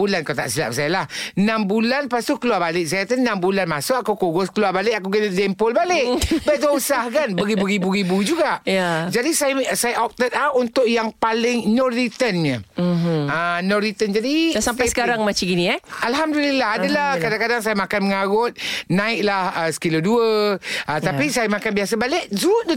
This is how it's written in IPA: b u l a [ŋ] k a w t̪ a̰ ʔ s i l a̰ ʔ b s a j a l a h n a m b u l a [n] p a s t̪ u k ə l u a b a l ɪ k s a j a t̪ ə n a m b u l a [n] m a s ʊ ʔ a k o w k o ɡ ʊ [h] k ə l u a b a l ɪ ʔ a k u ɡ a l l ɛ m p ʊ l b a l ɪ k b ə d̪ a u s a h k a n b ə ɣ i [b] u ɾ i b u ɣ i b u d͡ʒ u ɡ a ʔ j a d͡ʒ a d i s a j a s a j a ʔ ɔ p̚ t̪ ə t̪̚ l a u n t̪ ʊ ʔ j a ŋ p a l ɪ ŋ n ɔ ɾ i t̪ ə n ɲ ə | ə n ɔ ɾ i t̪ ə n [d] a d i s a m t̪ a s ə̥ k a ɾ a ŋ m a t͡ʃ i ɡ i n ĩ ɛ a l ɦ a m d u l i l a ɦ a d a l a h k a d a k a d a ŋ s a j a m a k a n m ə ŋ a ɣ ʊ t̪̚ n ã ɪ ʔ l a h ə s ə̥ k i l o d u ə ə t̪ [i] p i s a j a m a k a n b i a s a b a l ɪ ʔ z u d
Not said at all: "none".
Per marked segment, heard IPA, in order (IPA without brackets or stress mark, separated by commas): n, n, n, s, b, d͡ʒ, a